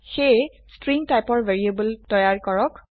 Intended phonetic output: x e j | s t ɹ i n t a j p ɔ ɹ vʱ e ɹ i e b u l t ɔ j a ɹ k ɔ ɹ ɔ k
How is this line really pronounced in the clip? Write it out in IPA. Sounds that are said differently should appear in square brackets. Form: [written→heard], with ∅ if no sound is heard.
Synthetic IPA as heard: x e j | s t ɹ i [n→ŋ] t a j p ɔ ɹ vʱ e ɹ i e b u l t ɔ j a ɹ k ɔ ɹ ɔ k